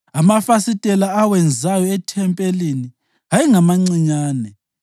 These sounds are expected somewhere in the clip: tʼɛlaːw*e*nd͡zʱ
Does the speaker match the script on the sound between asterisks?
no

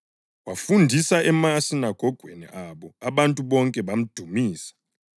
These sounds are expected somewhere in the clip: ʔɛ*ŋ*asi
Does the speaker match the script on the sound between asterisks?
no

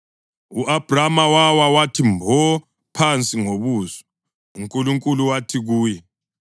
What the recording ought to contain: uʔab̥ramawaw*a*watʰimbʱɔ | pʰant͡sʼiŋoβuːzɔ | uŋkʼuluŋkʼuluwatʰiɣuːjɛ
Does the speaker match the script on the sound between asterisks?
yes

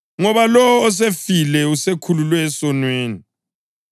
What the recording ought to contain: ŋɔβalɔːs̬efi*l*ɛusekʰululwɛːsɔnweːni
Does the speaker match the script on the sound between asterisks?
yes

